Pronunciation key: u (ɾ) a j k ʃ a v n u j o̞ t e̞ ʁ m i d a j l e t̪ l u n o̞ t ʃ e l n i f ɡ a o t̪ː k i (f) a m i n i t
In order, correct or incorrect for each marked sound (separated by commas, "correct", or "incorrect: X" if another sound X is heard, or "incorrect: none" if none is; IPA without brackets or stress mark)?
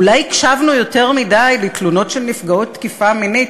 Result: incorrect: l, correct